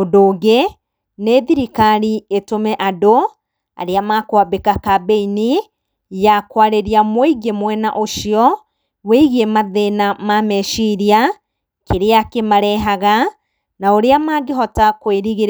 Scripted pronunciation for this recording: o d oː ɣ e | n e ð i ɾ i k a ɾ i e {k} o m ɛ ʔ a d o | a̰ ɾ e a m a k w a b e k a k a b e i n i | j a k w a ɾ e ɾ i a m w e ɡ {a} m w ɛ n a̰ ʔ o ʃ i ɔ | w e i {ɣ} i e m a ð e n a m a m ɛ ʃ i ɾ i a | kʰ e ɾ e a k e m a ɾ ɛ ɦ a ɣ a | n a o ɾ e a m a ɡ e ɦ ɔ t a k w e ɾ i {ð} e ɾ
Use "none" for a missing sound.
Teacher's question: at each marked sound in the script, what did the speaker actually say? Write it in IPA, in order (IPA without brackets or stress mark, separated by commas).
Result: t, e, ɣ, ɣ